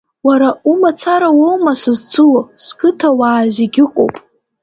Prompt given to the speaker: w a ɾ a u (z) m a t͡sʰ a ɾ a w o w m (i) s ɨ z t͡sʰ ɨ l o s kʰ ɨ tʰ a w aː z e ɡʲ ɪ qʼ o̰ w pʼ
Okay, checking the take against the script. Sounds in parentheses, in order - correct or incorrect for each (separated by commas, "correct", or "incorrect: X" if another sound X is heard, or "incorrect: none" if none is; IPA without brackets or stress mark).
incorrect: none, incorrect: a